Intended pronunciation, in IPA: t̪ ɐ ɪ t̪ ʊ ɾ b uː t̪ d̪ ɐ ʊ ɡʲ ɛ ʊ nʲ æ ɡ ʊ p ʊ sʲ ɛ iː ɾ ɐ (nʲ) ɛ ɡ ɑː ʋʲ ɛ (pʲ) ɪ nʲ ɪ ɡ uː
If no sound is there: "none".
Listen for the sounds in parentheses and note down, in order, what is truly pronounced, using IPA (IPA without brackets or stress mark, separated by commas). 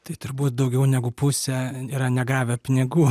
nʲ, pʲ